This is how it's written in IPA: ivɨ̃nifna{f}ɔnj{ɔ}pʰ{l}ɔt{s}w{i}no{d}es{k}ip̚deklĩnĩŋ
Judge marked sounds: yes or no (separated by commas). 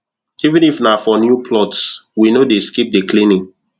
yes, no, yes, yes, yes, yes, yes